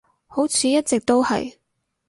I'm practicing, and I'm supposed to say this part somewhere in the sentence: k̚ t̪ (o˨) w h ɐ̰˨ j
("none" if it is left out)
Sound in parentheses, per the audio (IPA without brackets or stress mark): o˥